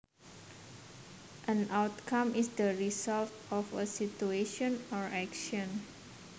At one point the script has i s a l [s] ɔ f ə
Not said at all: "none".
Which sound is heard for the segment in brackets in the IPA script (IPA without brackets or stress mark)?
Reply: t